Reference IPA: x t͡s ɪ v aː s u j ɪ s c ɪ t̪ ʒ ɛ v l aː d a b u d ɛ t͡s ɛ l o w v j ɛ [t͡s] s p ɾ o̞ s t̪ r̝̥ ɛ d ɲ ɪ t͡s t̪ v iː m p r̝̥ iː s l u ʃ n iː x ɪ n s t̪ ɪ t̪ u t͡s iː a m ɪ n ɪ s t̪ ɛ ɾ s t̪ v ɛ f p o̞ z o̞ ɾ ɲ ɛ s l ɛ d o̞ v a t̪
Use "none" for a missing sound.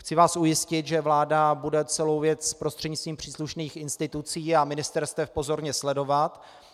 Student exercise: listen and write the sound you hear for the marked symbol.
t͡s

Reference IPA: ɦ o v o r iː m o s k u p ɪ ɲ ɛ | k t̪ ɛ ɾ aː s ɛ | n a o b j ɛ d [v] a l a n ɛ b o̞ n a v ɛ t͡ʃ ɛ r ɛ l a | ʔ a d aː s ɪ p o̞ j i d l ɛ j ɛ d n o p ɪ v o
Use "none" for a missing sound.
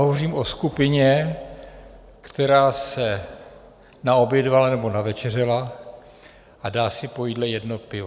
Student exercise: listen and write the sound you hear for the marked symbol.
v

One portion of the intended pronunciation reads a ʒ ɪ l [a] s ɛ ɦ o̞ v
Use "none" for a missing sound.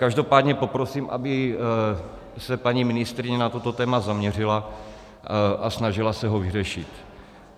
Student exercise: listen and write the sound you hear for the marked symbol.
a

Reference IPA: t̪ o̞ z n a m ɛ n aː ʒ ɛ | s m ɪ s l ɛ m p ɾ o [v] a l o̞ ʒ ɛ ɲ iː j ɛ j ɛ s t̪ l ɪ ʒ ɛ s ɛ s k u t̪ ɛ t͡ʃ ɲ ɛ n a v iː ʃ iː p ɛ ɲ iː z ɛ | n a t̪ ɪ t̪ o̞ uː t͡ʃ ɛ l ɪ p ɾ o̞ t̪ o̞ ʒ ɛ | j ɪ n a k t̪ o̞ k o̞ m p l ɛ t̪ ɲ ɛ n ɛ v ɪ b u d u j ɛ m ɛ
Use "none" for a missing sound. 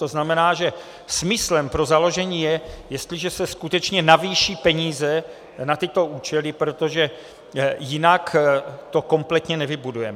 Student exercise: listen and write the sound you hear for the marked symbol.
z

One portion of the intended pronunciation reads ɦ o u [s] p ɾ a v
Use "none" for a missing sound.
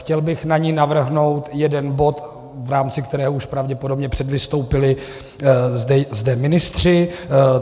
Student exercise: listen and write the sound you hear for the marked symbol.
ʃ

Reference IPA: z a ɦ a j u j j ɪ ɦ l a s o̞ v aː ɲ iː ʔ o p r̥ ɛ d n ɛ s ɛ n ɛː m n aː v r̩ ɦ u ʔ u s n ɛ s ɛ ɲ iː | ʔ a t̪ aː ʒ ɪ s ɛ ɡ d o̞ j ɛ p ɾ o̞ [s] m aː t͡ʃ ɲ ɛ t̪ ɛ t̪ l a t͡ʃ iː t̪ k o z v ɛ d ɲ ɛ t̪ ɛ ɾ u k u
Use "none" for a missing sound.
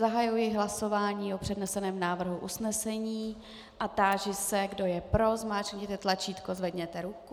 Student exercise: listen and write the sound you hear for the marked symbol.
z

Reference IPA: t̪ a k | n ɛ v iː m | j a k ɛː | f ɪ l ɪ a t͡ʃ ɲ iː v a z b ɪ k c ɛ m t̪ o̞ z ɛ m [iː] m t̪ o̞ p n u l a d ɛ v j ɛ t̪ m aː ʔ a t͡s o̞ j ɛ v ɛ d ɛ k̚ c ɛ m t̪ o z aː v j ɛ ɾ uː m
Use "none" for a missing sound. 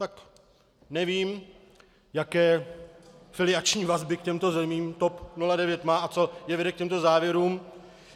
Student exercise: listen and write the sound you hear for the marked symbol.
iː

